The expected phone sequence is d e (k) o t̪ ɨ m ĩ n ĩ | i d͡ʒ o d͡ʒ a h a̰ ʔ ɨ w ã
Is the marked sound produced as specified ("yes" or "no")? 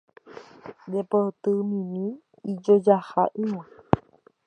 no